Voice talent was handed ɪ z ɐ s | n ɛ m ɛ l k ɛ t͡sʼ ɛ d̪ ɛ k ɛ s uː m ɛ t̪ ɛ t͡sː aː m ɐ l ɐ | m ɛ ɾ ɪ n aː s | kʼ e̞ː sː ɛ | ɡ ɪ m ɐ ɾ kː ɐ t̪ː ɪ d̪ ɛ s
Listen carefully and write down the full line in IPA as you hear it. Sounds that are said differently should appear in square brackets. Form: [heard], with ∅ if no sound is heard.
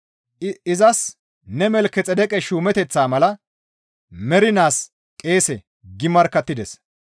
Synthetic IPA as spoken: ɪ z ɐ s | n ɛ m ɛ l k ɛ t͡sʼ ɛ d̪ ɛ [kʼ] ɛ [ʃ] uː m ɛ t̪ ɛ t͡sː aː m ɐ l ɐ | m ɛ ɾ ɪ n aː s | kʼ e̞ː [s] ɛ | ɡ ɪ m ɐ ɾ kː ɐ t̪ː ɪ d̪ ɛ s